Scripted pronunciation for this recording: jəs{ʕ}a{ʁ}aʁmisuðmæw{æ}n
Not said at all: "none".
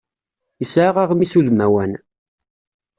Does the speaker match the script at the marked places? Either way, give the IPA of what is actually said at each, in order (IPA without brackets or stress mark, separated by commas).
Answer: ʕ, ʁ, æ